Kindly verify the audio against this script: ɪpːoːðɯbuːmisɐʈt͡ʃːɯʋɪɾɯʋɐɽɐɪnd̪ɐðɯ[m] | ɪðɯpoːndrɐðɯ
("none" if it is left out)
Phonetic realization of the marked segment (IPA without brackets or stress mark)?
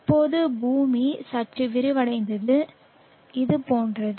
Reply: none